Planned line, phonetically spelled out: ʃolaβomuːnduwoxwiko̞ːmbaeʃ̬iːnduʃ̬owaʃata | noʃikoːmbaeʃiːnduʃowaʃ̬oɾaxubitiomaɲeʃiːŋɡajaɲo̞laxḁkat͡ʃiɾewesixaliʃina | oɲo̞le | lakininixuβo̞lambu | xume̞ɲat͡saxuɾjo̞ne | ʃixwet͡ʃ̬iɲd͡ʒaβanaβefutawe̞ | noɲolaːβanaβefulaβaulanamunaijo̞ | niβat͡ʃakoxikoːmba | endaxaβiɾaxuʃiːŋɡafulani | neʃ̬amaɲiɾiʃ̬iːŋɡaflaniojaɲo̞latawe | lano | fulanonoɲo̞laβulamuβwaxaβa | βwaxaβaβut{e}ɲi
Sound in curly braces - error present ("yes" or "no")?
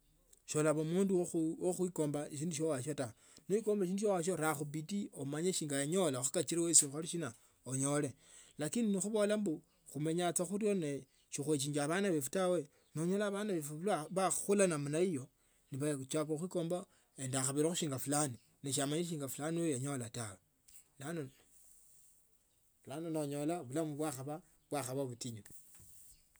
yes